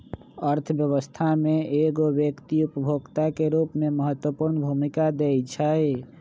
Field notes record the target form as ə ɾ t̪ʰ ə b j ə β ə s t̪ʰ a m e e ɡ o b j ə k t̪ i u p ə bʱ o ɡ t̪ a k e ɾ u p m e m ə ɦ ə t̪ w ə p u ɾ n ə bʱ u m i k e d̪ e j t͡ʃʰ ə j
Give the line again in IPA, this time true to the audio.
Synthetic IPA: ə ɾ t̪ʰ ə b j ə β ə s t̪ʰ a m e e ɡ o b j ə k t̪ i u p ə bʱ o ɡ t̪ a k e ɾ u p m e m ə ɦ ə t̪ w ə p u ɾ n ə bʱ u m i k a d̪ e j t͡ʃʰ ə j